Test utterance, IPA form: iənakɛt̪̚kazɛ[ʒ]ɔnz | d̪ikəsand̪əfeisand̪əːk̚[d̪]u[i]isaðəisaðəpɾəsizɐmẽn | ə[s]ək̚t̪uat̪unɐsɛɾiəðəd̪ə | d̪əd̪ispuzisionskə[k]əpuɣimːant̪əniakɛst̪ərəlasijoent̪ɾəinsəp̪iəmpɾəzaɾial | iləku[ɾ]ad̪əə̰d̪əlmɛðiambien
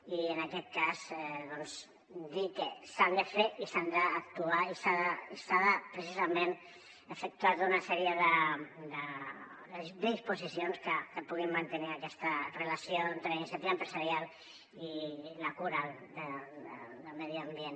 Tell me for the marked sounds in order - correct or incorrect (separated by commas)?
incorrect, incorrect, incorrect, incorrect, correct, correct